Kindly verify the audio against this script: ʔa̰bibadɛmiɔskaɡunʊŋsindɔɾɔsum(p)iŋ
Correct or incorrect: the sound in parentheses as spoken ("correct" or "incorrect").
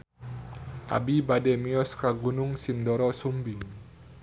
incorrect